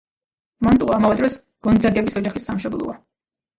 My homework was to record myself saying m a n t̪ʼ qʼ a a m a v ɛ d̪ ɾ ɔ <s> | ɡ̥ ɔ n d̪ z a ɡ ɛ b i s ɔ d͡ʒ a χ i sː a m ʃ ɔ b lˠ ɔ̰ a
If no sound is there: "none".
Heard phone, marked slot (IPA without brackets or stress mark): s